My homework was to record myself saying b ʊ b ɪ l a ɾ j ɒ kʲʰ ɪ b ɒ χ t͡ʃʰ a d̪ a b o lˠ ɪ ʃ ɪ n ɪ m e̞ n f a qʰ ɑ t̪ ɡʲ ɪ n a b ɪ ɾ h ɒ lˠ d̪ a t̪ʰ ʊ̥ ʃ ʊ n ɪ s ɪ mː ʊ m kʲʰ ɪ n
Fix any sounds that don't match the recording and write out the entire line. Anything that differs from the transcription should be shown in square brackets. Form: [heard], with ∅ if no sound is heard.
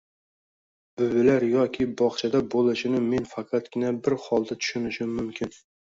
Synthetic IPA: b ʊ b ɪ l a ɾ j ɒ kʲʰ ɪ b ɒ χ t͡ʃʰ a d̪ a b o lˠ ɪ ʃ ɪ n ɪ m e̞ n f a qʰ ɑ t̪ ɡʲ ɪ n a b ɪ ɾ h ɒ lˠ d̪ a t̪ʰ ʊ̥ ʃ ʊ n ɪ [ʃ] ɪ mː ʊ m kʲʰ ɪ n